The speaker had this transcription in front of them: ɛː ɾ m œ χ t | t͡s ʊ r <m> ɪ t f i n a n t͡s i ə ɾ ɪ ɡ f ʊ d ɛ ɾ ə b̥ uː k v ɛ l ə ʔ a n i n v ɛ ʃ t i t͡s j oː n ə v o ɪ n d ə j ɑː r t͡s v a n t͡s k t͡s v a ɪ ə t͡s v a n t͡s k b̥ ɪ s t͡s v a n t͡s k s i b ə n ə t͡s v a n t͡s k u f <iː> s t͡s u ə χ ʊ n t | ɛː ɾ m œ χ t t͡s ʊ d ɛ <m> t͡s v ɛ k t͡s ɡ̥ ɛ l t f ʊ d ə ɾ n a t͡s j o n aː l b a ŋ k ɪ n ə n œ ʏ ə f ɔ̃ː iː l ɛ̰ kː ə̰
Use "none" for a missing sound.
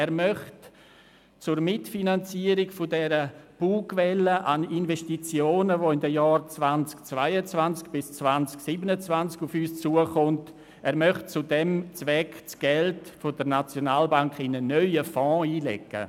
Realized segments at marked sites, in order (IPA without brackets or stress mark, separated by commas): m, yː, m